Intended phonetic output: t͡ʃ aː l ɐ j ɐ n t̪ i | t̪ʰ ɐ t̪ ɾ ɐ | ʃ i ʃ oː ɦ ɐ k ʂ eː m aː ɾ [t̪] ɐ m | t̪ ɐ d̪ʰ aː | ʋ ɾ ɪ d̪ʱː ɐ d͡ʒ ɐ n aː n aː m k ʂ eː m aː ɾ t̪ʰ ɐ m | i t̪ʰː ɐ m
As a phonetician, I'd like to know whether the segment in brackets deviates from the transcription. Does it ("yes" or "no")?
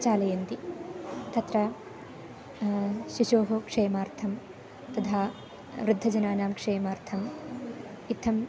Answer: yes